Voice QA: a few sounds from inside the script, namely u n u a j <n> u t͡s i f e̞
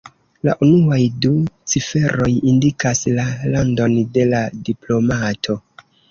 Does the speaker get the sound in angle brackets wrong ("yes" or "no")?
yes